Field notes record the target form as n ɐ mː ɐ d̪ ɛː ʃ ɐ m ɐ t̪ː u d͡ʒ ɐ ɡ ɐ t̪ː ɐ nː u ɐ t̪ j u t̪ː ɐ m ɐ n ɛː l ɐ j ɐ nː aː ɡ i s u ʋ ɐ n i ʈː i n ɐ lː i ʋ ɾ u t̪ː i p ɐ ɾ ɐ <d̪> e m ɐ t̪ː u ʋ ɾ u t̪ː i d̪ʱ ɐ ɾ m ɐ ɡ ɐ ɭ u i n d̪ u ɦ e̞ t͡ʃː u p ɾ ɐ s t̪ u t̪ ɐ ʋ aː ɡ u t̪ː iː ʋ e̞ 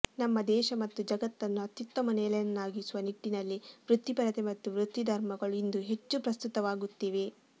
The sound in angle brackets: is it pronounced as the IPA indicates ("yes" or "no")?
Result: no